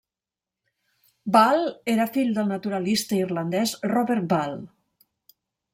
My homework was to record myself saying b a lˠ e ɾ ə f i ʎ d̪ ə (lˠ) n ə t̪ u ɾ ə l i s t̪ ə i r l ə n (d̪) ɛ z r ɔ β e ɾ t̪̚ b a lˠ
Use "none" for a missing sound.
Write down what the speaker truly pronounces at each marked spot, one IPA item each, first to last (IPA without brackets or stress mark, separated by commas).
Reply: lˠ, d̪